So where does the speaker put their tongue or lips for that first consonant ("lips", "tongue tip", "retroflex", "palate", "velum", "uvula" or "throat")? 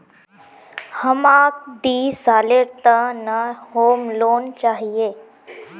throat